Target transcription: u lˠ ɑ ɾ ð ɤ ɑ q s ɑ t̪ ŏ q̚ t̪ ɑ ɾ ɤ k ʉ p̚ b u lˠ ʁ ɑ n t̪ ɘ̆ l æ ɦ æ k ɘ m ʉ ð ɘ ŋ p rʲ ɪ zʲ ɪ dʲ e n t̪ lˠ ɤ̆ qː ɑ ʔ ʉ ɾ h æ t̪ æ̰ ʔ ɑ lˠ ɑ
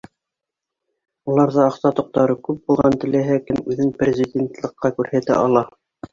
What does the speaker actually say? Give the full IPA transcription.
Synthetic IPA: u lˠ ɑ ɾ ð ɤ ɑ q s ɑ t̪ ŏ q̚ t̪ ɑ ɾ ɤ k ʉ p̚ b u lˠ ʁ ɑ n t̪ ɘ̆ l æ ɦ æ k ɘ m ʉ ð ɘ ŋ p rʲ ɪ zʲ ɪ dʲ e n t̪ lˠ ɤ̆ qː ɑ k ʉ ɾ h æ t̪ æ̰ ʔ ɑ lˠ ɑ